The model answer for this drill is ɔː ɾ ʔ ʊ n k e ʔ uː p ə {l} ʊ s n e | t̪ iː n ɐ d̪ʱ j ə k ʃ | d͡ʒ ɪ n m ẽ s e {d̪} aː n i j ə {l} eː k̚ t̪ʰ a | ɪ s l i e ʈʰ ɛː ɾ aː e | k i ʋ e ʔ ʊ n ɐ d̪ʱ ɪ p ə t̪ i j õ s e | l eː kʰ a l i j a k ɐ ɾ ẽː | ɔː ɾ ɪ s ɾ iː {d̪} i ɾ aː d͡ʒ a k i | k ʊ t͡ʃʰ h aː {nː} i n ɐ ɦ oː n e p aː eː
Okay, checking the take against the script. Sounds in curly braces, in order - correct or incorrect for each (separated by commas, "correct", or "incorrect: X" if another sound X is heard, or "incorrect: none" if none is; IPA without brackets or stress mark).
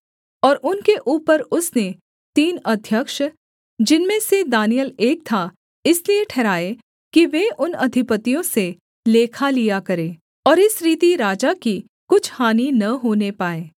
incorrect: ɾ, correct, correct, incorrect: t̪, incorrect: n